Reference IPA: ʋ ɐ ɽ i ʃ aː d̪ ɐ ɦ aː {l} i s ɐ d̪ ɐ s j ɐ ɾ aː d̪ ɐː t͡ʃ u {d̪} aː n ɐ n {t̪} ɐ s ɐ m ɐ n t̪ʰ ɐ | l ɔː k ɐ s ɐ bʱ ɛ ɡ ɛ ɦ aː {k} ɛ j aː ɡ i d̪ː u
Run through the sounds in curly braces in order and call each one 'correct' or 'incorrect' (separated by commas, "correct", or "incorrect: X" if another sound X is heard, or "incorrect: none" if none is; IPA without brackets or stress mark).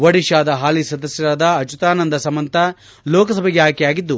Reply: correct, incorrect: t̪, incorrect: d̪, correct